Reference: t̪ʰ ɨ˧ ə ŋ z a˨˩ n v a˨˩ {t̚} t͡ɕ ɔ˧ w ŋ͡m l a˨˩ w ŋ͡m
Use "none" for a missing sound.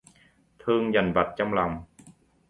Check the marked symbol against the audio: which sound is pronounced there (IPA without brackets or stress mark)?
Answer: t̚